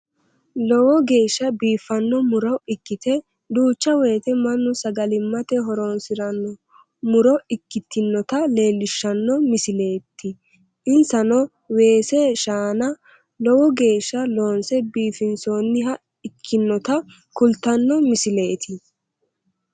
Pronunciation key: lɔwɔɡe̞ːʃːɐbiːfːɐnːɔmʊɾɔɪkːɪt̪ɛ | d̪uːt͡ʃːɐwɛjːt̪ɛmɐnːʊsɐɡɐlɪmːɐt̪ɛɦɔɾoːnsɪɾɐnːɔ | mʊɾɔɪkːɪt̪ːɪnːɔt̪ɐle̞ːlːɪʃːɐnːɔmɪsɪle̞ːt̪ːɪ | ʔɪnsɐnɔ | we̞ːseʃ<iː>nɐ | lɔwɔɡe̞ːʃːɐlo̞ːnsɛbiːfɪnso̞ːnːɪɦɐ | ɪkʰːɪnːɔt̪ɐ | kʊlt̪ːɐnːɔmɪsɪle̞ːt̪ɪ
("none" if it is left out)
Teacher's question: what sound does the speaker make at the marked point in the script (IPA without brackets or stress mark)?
aː